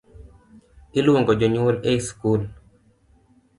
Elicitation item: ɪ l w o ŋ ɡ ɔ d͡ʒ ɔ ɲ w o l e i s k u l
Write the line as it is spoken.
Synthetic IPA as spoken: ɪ l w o ŋ ɡ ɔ d͡ʒ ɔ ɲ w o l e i s k u l

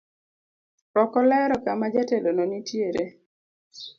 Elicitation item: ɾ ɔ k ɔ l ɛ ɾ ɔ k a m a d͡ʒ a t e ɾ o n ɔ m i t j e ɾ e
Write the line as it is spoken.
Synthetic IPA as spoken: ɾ ɔ k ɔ l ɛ ɾ ɔ k a m a d͡ʒ a t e l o n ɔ n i t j e ɾ e

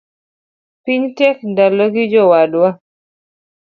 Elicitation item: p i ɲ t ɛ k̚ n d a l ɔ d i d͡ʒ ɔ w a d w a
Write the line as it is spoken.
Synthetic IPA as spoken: p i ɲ t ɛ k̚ n d a l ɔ ɡ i d͡ʒ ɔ w a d w a

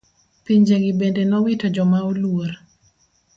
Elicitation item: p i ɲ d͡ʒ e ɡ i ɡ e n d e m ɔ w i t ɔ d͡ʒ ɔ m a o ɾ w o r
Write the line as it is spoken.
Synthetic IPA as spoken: p i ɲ d͡ʒ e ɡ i b e n d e n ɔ w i t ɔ d͡ʒ ɔ m a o l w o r

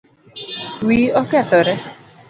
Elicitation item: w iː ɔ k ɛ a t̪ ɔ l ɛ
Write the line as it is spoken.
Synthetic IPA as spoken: w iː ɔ k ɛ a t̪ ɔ ɾ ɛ

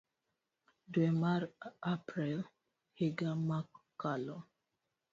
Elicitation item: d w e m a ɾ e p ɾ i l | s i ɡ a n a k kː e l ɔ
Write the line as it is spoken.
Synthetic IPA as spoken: d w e m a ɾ a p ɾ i l | h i ɡ a m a k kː a l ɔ

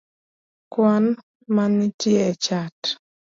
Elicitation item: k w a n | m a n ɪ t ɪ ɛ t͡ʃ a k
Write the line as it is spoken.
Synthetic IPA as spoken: k w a n | m a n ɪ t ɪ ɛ t͡ʃ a t

